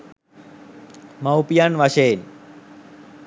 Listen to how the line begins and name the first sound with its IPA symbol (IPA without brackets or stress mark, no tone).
m